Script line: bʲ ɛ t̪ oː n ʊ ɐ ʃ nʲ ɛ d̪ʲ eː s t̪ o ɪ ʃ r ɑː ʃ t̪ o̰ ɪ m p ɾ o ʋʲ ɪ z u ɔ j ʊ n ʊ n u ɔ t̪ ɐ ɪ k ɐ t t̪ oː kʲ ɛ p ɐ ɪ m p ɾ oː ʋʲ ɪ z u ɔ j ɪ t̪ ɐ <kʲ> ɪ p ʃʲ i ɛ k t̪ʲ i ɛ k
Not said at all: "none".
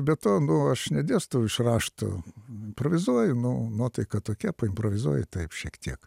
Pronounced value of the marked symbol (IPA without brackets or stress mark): none